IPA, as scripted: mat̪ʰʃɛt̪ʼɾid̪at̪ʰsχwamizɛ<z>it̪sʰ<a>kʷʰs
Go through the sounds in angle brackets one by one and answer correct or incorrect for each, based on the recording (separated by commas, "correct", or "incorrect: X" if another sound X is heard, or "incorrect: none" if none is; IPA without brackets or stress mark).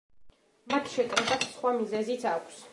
correct, correct